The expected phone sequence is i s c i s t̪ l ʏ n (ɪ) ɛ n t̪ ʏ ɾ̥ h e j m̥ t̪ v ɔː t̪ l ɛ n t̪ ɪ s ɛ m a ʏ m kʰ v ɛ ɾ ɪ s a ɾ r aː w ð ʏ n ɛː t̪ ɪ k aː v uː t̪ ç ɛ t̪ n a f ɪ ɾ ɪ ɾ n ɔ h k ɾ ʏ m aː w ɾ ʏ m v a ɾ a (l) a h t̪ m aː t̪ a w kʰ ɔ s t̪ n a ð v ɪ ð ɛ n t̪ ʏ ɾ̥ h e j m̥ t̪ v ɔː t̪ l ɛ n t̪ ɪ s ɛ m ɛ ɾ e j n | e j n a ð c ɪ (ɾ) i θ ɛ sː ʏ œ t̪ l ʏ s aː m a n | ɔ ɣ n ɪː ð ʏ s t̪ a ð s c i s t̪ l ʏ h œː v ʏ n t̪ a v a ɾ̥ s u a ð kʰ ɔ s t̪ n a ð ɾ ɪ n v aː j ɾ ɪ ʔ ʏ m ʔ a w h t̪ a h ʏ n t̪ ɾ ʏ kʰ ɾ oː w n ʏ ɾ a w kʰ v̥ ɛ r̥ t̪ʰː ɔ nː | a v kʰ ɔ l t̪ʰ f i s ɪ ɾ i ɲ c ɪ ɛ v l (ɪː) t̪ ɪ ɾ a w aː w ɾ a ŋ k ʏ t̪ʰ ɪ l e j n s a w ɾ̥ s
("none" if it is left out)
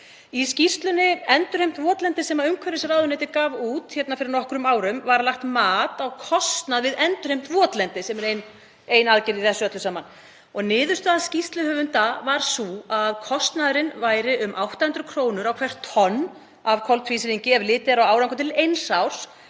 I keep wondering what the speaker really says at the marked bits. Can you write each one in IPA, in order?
ɪ, l, ɾ, ɪː

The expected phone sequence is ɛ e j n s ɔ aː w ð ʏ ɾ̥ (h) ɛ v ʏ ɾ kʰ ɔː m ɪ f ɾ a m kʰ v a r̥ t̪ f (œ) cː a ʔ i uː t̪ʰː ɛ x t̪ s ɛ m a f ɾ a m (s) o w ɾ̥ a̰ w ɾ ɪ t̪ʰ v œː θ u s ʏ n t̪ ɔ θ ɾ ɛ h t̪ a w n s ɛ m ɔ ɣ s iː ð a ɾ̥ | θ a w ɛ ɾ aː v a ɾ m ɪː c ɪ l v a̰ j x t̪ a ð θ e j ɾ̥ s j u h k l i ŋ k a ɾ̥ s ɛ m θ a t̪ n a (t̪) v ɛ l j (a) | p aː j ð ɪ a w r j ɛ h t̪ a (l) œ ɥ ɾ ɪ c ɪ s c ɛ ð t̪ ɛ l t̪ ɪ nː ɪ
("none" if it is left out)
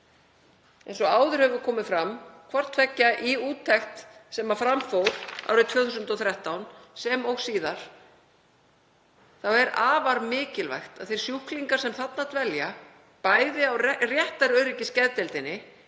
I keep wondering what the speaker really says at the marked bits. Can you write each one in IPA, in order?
h, ɛ, f, t̪, a, ɾ

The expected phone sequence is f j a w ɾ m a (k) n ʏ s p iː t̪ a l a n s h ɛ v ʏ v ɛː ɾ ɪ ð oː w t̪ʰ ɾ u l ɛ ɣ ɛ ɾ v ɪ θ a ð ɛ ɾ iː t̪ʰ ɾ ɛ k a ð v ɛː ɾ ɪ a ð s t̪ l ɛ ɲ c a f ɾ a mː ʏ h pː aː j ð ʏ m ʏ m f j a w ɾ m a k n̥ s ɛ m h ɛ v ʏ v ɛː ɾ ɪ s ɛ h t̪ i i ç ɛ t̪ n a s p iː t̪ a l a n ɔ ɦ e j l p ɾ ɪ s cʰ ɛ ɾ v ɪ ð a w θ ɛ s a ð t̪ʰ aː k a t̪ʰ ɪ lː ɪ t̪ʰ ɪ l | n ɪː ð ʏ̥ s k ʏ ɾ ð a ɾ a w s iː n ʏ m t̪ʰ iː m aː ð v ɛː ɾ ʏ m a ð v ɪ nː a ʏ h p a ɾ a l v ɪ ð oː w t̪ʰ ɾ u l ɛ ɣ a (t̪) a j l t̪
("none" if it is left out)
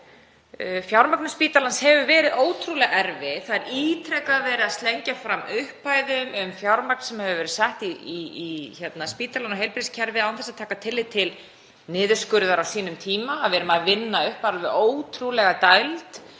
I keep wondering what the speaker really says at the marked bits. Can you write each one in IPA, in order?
k, t̪

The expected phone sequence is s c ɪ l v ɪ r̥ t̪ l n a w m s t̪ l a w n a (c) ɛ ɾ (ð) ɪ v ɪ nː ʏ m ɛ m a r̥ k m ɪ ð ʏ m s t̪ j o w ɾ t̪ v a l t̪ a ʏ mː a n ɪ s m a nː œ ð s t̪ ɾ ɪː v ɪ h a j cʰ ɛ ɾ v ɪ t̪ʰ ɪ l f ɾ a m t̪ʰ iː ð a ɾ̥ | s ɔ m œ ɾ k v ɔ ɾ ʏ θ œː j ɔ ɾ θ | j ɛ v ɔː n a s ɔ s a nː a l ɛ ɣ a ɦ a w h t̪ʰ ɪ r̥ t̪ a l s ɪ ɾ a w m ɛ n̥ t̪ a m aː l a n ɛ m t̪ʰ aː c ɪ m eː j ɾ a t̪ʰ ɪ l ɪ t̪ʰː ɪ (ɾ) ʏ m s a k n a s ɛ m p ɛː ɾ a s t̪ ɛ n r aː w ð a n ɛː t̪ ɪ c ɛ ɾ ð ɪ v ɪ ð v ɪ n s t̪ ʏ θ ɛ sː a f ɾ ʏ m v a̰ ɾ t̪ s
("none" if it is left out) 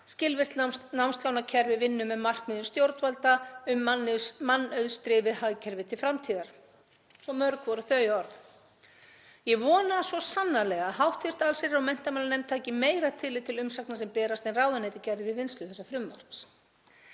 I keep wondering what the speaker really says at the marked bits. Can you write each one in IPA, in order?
cʰ, v, l

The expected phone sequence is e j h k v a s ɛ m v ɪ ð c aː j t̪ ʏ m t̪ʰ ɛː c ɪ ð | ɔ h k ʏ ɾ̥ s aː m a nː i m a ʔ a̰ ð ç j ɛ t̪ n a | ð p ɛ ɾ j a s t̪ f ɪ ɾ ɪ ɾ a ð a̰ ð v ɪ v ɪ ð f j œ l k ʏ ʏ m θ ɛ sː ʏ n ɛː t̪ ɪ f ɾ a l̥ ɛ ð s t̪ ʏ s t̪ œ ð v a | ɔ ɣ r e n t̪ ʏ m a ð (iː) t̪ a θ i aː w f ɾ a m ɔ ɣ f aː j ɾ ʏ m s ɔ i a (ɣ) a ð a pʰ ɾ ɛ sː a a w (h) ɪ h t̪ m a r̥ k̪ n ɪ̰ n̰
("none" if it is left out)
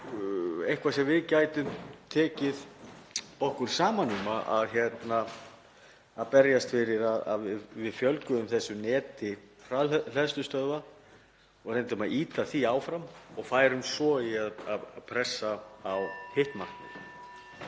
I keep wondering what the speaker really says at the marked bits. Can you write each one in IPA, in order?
iː, ð, h

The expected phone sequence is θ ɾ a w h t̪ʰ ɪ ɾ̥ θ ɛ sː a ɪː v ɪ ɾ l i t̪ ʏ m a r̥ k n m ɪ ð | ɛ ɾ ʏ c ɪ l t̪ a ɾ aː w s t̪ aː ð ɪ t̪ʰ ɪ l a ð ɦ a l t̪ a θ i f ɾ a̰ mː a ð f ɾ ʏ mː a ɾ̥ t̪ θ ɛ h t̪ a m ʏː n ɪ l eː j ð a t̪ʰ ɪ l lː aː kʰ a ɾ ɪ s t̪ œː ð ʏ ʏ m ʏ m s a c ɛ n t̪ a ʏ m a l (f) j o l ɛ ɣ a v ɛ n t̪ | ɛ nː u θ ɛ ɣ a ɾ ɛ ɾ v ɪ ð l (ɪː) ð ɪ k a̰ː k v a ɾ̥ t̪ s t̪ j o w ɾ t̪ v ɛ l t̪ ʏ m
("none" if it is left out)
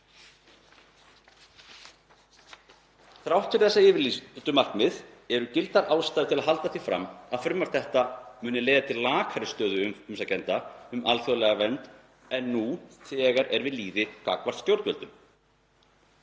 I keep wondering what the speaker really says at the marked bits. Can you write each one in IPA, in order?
θ, iː

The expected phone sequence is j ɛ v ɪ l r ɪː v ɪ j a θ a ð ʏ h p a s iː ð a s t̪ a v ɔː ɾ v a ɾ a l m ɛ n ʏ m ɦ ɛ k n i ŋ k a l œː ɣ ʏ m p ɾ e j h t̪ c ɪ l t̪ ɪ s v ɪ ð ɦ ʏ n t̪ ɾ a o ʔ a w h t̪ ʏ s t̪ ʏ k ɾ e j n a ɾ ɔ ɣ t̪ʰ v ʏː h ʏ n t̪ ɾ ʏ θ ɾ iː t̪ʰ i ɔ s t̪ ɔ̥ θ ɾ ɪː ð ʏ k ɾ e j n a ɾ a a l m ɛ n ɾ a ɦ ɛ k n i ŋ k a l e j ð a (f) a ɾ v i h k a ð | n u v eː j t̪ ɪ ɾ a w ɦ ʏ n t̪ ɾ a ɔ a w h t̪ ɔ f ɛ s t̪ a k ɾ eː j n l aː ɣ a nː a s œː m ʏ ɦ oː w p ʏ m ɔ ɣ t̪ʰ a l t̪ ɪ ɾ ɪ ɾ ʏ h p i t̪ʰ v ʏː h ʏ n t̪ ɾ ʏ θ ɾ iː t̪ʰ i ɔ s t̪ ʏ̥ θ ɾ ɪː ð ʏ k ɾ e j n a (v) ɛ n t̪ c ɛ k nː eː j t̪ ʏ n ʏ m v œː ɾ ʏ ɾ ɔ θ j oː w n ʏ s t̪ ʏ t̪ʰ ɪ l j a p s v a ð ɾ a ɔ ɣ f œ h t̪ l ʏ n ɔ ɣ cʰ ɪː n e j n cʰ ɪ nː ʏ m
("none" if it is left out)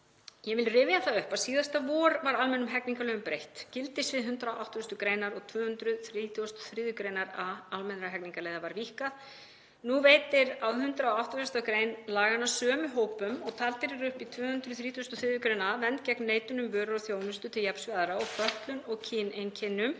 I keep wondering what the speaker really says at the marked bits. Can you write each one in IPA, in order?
v, v

